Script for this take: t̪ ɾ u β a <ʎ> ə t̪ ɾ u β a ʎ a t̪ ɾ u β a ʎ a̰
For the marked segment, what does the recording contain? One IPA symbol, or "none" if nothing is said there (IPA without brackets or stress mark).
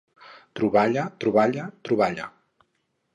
ʎ